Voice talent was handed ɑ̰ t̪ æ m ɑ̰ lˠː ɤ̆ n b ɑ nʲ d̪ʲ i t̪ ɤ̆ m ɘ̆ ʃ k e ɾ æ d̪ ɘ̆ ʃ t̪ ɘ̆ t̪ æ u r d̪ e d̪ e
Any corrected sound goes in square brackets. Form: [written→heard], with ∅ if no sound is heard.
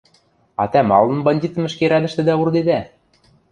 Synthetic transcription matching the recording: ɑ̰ t̪ æ m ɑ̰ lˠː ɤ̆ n b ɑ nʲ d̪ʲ i t̪ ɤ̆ m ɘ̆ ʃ k e ɾ æ d̪ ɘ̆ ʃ t̪ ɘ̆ [t̪→d̪] æ u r d̪ e d̪ [e→æ]